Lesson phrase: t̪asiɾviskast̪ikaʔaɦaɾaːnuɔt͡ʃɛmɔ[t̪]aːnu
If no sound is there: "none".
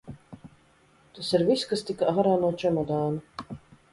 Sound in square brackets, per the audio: d̪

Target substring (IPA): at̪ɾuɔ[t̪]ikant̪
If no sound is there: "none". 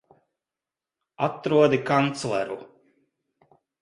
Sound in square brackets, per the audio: d̪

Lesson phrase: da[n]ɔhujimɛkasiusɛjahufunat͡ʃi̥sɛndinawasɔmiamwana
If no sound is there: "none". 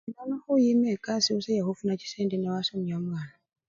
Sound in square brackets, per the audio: n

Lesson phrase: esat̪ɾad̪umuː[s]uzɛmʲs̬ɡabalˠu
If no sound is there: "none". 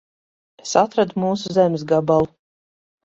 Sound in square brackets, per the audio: s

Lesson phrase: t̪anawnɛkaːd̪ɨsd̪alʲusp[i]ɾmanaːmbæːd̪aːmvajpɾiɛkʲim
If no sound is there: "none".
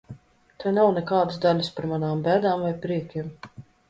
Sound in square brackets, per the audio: a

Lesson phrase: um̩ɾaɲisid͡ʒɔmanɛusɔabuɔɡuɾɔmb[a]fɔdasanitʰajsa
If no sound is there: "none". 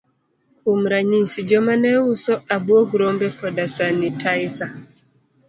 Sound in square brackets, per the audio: ɛ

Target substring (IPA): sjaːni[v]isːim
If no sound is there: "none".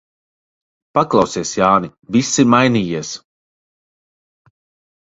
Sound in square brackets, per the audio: v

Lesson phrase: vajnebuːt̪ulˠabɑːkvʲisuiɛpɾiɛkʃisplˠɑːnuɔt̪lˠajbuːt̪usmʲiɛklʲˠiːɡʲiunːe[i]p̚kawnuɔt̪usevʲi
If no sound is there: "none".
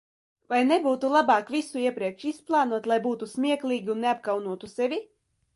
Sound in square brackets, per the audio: a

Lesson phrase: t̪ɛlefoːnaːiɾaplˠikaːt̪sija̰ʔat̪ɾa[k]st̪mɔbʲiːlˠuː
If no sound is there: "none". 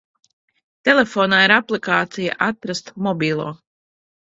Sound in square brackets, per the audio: none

